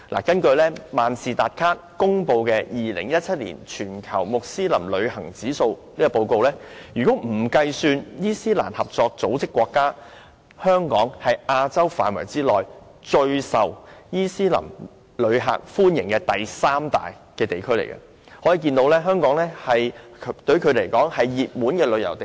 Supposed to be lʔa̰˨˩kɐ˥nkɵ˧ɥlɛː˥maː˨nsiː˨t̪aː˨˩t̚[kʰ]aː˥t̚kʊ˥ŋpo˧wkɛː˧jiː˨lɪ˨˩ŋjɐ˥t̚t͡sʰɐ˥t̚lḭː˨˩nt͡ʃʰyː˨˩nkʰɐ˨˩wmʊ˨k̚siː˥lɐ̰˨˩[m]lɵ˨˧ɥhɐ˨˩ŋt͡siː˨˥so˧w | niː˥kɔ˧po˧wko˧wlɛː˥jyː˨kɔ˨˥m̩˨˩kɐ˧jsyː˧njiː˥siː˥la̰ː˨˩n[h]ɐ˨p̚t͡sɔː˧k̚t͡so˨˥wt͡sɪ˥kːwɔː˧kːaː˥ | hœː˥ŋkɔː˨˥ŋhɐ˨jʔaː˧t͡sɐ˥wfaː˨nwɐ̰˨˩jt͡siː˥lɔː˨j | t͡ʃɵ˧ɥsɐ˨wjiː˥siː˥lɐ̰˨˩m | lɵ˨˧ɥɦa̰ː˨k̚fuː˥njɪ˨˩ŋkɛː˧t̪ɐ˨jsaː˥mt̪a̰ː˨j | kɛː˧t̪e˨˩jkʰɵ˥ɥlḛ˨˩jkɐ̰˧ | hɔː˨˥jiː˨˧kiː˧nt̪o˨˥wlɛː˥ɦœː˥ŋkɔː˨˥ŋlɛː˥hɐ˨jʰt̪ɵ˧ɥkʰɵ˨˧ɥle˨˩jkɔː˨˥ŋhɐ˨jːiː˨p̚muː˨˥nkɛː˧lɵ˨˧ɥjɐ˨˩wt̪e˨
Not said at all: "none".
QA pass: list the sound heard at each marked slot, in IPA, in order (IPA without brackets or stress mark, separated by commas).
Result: kʰ, m, h